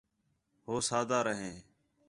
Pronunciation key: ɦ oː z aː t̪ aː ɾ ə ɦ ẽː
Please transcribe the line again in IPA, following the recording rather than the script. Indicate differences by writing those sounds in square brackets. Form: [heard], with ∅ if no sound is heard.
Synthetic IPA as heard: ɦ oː [s] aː [d̪] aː ɾ ə ɦ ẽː